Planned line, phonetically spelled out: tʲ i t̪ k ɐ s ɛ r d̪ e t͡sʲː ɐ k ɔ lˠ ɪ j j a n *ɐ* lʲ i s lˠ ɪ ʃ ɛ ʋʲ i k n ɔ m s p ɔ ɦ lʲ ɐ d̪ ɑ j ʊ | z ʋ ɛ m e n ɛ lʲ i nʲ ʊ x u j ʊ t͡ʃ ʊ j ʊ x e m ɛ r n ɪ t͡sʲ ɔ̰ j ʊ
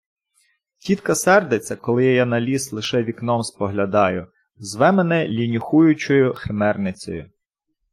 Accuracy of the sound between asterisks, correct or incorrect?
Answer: correct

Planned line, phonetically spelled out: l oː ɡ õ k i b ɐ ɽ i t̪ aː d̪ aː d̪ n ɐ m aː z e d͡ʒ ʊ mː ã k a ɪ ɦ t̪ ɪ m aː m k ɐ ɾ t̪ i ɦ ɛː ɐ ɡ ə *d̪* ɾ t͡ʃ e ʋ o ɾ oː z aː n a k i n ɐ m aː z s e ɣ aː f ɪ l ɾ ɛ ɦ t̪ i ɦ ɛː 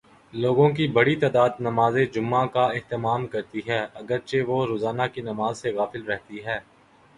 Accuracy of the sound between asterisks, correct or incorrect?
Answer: incorrect: none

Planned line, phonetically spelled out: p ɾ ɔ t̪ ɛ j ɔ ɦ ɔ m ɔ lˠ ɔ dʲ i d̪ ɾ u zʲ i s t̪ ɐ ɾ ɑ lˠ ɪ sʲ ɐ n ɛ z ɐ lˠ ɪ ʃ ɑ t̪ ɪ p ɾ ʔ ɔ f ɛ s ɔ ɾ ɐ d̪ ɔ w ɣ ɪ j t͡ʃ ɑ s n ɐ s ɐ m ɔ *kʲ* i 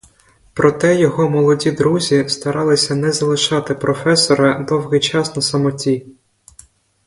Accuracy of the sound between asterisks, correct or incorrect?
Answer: incorrect: tʲ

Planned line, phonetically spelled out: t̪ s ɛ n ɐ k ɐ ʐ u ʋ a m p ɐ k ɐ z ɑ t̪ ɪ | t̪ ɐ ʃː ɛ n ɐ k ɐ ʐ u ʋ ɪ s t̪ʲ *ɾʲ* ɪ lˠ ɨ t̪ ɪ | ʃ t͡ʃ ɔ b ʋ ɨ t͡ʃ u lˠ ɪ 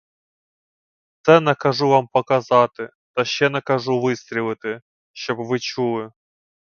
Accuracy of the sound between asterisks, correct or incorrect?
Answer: correct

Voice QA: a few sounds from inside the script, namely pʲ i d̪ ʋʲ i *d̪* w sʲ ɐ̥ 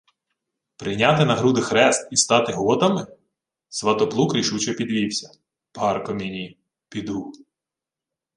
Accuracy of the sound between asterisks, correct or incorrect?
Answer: incorrect: none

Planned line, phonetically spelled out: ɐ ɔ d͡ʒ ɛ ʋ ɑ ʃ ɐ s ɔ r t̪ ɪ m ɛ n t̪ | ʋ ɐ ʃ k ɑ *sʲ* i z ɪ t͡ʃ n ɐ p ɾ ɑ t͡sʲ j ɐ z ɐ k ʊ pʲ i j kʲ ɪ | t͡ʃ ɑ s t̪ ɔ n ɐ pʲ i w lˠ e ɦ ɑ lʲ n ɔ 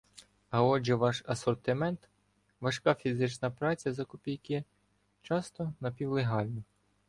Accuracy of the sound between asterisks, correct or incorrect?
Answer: incorrect: fʲ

